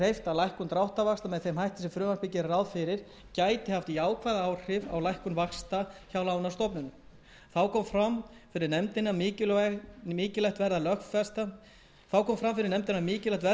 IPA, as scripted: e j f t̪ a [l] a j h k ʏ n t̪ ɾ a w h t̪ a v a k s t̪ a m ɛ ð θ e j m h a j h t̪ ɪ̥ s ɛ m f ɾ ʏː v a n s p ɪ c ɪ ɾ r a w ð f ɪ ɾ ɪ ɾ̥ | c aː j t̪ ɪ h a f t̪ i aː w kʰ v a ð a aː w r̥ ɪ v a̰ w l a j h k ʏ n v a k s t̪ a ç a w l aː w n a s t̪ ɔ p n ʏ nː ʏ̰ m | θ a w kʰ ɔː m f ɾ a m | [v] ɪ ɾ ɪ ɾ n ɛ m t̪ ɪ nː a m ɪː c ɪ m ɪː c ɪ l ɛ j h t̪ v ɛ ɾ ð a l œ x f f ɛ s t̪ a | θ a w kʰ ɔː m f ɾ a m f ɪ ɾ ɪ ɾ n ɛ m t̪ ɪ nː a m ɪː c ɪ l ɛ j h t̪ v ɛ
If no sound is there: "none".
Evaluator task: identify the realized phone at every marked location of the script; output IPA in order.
l, f

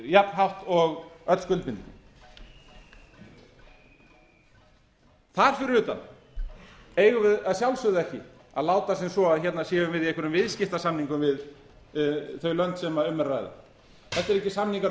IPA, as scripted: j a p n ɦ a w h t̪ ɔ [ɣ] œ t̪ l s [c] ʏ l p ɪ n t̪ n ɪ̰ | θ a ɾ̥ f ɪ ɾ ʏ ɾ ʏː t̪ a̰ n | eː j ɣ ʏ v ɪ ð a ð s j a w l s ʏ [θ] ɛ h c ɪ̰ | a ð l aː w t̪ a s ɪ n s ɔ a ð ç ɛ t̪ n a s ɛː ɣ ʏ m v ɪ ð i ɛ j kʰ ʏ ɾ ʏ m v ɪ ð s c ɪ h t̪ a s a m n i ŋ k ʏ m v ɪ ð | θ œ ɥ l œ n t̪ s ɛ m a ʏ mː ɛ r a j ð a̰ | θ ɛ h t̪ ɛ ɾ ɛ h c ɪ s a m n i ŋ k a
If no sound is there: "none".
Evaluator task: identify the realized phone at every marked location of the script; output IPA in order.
ɣ, k, ð

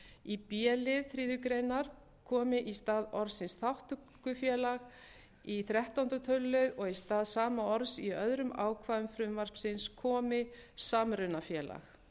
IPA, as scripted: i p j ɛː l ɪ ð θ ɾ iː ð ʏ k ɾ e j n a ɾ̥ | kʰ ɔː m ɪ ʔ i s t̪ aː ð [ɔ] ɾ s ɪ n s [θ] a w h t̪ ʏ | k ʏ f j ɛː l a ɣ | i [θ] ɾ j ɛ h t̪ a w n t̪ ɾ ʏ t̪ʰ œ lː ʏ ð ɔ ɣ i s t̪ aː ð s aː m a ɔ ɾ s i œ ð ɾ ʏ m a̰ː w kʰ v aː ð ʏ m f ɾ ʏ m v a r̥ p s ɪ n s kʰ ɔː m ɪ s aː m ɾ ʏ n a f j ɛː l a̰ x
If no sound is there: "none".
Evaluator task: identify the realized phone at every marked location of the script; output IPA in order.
ɔ, θ, θ

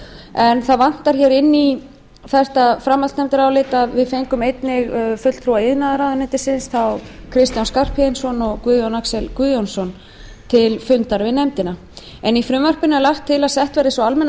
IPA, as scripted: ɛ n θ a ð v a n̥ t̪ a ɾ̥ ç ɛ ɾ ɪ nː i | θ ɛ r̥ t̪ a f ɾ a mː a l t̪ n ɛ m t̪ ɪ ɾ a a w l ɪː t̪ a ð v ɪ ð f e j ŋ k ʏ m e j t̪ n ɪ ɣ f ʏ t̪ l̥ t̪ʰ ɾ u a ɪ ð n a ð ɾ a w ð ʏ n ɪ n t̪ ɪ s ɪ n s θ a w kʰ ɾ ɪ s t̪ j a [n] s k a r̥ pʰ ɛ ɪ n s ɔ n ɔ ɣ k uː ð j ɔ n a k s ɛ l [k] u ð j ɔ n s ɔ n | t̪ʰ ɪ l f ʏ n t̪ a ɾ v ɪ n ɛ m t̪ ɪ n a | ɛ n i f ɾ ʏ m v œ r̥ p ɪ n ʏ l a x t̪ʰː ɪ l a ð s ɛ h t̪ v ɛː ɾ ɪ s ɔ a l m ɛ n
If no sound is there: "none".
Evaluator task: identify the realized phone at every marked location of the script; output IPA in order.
n, k

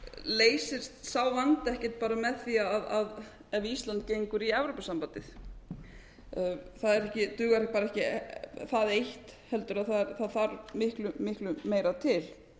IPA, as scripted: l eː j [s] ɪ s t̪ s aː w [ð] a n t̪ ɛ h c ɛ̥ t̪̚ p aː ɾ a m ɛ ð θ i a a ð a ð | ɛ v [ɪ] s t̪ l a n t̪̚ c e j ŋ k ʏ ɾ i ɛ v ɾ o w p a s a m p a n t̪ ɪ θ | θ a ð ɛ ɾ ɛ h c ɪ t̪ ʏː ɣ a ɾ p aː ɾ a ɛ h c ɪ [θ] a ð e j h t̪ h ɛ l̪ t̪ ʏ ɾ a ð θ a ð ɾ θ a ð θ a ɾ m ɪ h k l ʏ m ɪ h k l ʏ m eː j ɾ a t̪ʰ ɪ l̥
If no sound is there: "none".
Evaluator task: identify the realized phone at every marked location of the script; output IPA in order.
s, v, i, θ

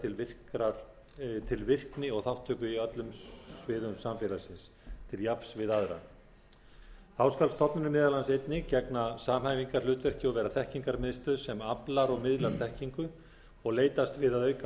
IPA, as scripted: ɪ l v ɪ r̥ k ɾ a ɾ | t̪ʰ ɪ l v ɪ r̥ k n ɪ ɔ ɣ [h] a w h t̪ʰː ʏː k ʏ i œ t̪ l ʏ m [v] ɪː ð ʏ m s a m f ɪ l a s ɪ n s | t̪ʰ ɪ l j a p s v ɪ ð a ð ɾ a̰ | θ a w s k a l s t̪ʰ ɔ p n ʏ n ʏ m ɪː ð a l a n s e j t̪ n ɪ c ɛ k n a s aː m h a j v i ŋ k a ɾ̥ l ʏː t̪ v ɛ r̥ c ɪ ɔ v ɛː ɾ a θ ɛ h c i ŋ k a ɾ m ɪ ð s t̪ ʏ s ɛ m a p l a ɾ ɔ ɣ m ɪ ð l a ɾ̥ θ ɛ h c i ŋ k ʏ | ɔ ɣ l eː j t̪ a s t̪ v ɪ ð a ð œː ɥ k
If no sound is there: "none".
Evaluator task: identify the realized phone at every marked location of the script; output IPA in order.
θ, v

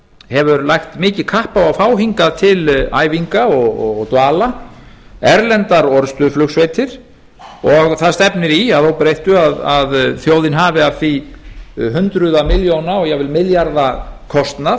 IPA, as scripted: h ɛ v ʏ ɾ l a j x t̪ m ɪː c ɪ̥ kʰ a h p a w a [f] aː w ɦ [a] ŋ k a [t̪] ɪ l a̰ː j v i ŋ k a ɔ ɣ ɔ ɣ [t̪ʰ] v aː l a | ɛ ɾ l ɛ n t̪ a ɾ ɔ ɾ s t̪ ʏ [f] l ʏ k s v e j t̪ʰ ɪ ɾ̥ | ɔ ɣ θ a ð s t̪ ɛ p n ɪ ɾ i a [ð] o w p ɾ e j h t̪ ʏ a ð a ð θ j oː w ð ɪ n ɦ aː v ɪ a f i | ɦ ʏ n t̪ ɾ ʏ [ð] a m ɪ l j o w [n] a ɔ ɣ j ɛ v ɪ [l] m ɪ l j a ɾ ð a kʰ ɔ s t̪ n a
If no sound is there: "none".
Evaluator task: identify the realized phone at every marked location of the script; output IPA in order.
f, i, t̪ʰ, t̪, f, ð, ð, n, l

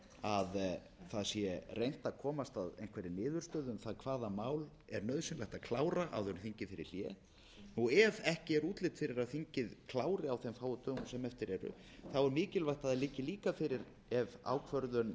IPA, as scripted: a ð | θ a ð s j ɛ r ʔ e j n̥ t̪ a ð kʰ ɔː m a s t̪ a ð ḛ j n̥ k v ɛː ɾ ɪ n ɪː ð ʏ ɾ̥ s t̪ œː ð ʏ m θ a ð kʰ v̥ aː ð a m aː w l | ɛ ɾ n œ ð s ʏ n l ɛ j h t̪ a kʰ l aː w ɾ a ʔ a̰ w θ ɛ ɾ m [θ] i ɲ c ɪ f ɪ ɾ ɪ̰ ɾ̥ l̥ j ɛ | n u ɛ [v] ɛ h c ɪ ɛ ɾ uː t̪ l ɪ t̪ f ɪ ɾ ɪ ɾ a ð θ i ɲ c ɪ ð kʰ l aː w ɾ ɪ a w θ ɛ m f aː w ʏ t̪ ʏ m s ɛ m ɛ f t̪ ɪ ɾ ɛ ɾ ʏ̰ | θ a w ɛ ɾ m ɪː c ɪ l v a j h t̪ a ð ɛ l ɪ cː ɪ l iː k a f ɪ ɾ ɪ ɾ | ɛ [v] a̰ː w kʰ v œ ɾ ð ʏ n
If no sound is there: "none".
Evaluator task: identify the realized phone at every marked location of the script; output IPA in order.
θ, v, v

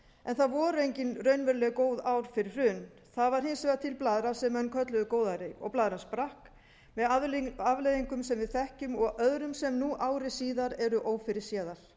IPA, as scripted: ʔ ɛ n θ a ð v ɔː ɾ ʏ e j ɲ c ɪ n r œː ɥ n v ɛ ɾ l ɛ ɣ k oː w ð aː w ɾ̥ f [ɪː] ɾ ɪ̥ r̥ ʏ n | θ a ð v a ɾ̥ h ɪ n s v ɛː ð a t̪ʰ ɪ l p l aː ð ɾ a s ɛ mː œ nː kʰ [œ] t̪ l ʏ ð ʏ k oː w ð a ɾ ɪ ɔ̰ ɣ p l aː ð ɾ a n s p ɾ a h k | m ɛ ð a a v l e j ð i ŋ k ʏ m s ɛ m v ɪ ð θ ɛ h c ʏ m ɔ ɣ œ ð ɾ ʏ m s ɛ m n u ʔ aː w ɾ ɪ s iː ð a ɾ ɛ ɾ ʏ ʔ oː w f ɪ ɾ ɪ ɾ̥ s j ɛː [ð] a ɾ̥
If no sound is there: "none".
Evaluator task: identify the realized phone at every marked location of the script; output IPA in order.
ɪ, œ, ð

